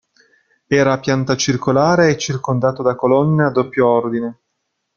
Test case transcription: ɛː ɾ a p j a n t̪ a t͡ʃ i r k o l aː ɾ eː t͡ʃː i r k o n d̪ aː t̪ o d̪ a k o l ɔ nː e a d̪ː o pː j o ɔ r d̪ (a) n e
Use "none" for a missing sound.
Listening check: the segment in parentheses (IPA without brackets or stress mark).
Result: i